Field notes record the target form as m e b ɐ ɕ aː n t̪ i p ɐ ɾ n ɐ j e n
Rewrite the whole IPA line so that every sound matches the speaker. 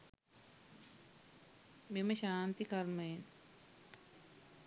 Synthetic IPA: m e m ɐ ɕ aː n t̪ i k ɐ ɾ m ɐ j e n